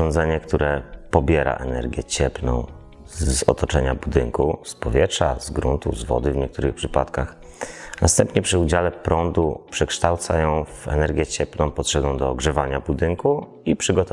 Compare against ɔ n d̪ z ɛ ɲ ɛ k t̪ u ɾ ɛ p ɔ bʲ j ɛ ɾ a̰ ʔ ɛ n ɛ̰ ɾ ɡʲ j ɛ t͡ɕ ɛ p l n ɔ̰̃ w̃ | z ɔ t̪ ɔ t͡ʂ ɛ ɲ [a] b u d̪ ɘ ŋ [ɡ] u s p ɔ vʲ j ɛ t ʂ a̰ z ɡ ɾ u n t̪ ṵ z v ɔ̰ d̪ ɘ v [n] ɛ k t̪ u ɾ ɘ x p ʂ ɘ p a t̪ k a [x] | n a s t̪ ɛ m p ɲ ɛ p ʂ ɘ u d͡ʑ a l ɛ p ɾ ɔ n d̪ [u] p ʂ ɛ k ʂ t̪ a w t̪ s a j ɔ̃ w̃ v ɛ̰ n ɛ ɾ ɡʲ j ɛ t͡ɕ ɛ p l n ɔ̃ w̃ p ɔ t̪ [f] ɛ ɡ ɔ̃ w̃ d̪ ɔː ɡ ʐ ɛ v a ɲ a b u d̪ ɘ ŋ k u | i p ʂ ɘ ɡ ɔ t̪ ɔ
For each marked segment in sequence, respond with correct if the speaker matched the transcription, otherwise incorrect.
correct, incorrect: k, incorrect: ɲ, correct, correct, incorrect: ʂ

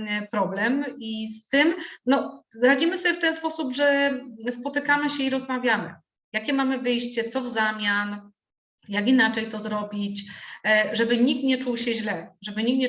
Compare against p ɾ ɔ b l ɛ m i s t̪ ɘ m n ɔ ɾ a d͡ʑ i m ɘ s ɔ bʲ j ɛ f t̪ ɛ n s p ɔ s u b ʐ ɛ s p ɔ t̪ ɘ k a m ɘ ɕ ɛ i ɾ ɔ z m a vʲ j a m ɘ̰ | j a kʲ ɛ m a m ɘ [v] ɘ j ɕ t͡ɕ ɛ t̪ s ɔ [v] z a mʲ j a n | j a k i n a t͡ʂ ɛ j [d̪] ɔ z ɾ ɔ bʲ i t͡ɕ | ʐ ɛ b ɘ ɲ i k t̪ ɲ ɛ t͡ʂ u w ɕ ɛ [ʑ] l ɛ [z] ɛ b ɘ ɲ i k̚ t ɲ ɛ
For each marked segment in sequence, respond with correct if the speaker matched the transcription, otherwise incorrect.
correct, correct, incorrect: t̪, correct, incorrect: ʐ

